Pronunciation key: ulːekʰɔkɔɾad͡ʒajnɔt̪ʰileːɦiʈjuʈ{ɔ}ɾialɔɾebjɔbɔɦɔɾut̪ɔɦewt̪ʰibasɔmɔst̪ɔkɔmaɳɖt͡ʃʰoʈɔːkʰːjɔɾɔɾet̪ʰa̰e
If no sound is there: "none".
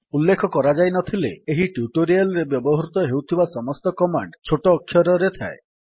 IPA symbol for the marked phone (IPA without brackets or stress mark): o